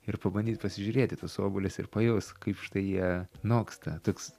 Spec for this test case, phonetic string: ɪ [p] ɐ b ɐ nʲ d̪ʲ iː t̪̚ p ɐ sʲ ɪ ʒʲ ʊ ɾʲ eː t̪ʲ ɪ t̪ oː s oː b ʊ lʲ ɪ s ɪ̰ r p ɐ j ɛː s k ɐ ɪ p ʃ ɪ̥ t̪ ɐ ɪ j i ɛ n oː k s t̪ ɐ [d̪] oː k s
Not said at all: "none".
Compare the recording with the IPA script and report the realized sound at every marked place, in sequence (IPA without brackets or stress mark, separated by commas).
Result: p, t̪